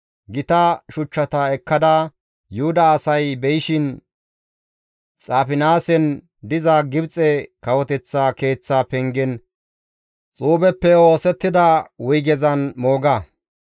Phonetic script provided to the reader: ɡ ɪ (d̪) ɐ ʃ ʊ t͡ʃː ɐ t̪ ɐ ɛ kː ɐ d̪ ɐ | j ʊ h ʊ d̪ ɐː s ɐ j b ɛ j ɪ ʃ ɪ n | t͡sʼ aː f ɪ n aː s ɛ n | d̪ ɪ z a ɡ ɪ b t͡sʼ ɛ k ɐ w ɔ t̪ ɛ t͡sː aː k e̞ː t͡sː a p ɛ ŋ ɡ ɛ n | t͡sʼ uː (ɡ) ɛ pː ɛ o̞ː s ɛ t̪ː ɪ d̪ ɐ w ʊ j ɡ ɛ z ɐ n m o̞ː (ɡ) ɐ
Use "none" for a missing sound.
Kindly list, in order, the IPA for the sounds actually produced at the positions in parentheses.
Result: t̪, b, ɡ

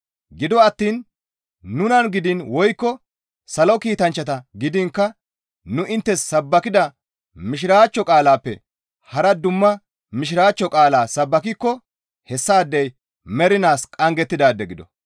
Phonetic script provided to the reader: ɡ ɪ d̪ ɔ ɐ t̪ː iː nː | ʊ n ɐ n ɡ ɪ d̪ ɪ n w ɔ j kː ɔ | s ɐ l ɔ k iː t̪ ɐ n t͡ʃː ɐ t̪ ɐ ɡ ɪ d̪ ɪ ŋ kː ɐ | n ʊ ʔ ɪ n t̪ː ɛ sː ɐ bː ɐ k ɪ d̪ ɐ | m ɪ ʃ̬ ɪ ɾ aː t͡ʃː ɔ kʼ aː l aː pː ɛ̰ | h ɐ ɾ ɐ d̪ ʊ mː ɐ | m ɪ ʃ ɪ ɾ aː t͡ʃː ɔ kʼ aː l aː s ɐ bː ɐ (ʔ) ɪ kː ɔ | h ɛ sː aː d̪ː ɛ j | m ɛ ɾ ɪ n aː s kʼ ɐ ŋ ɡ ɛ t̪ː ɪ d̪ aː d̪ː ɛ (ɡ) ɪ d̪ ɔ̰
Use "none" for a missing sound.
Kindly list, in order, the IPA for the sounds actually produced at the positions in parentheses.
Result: k, ɡ

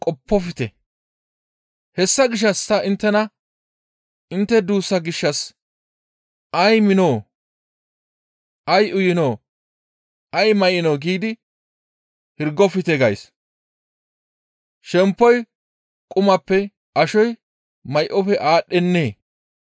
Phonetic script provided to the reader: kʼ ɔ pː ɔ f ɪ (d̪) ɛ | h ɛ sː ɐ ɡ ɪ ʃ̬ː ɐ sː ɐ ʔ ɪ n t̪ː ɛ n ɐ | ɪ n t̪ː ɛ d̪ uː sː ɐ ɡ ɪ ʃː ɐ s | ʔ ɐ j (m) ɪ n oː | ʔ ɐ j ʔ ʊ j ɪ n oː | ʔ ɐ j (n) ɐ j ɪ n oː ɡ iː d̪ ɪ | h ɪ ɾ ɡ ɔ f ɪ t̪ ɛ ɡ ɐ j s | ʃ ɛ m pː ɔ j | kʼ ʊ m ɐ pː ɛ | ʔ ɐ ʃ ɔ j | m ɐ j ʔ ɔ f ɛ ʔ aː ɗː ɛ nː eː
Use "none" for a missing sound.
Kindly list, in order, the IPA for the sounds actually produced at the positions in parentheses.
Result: t̪, m, m

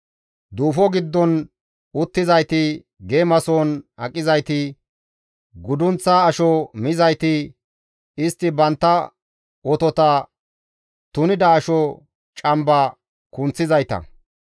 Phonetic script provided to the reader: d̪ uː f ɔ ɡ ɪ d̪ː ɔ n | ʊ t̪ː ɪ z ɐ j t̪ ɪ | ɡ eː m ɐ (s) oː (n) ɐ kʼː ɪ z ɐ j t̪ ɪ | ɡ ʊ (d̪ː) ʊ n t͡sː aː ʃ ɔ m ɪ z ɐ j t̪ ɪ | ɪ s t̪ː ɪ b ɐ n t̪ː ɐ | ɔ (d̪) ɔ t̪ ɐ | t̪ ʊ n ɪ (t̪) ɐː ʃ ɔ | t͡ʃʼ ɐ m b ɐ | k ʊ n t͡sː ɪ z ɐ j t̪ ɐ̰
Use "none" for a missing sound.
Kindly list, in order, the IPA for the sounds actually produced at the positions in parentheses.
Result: s, n, d̪, t̪, d̪

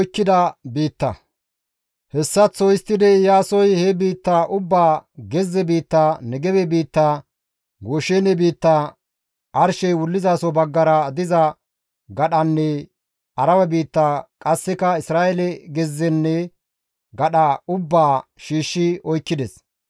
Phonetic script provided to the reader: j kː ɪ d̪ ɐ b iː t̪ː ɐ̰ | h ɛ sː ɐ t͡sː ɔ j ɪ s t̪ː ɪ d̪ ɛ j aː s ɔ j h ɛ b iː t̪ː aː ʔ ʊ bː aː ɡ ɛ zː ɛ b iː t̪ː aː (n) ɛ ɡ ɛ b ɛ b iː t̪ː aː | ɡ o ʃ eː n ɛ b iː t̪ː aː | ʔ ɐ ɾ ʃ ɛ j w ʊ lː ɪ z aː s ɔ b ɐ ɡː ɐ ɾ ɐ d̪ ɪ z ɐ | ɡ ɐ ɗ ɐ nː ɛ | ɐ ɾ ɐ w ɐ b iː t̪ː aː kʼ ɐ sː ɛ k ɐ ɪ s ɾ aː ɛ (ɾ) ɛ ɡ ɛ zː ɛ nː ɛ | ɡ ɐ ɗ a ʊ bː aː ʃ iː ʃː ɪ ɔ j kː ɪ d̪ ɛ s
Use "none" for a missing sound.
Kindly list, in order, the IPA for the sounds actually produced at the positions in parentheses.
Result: n, l

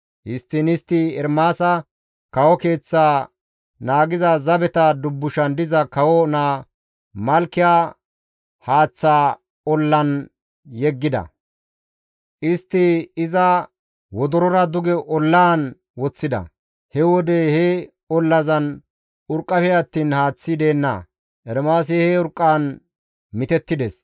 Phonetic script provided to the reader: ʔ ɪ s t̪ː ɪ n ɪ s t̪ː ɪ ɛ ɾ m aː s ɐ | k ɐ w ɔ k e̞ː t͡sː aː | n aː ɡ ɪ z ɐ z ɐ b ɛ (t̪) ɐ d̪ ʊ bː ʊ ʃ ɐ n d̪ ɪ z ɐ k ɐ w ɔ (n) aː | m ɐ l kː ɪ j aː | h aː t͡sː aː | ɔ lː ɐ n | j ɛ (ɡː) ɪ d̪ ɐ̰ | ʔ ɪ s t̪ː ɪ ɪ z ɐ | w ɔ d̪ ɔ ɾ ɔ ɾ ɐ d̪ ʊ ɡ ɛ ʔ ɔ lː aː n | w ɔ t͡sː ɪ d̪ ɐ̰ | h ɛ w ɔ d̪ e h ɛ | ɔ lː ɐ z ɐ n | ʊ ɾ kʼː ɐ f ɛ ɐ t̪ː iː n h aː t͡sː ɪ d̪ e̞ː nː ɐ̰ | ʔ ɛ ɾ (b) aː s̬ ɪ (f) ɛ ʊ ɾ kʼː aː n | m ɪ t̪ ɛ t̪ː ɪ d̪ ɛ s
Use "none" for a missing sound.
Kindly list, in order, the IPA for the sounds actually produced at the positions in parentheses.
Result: t̪, n, ɡː, m, h

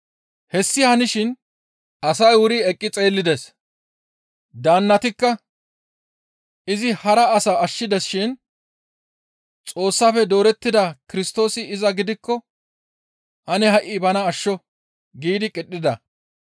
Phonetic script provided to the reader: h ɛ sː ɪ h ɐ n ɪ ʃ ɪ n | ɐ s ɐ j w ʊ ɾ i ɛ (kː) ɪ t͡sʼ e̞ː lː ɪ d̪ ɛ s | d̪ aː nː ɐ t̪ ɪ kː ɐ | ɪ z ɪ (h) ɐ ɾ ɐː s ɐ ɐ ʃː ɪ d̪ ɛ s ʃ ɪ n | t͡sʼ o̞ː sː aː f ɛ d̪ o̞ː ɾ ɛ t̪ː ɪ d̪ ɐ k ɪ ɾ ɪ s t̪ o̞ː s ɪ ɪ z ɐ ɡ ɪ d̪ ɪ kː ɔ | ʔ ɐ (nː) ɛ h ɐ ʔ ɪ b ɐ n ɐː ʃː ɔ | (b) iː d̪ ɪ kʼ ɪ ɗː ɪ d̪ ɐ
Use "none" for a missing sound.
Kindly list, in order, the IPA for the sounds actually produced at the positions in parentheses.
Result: kʼː, h, n, ɡ

